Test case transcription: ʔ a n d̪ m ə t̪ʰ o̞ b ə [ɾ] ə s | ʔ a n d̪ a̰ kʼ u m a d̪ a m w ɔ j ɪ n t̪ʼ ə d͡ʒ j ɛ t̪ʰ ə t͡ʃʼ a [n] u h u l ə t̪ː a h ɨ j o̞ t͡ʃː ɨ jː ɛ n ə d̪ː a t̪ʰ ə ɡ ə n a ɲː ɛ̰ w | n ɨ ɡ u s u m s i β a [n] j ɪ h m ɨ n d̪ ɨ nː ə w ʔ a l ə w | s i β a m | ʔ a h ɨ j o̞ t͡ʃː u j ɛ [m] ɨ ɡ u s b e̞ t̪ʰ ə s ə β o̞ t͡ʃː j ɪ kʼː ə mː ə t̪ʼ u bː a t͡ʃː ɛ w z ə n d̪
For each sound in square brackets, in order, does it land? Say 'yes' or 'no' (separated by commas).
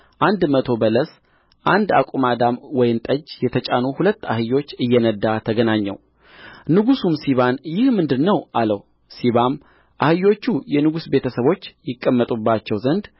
no, yes, yes, no